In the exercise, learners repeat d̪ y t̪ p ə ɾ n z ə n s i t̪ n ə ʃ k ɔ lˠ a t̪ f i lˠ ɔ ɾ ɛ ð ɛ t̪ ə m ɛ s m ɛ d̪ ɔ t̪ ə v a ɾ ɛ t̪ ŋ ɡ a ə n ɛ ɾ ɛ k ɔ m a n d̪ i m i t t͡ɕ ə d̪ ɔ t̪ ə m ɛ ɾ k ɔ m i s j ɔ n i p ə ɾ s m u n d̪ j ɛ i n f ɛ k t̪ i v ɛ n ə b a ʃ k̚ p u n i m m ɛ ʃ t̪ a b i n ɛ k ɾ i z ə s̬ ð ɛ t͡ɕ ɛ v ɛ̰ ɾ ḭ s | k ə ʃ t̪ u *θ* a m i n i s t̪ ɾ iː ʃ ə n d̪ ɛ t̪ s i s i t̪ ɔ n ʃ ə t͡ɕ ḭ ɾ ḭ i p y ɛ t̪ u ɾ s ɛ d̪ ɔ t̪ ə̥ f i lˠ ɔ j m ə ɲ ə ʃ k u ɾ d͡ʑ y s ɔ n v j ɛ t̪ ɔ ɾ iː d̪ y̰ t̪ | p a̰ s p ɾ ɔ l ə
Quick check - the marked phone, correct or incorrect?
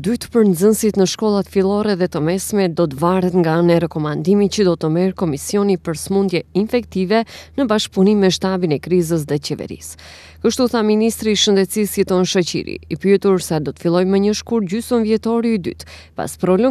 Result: correct